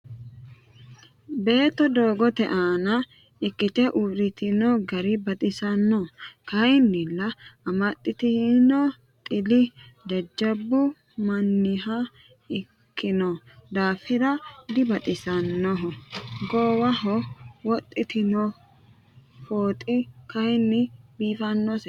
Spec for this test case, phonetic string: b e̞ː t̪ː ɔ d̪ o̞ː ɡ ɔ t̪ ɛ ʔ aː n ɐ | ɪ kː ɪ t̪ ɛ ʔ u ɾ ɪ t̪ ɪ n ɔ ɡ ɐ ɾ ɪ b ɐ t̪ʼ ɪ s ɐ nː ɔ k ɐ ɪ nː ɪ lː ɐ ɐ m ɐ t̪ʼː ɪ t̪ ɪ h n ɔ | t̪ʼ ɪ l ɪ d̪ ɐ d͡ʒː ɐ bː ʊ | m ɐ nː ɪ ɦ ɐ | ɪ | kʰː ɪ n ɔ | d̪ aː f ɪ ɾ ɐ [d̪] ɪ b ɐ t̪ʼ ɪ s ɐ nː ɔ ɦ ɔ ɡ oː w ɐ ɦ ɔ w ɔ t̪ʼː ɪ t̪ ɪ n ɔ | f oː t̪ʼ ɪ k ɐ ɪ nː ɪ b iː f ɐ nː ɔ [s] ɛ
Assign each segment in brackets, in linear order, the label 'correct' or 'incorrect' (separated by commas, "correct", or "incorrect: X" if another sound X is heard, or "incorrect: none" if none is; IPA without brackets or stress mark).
correct, correct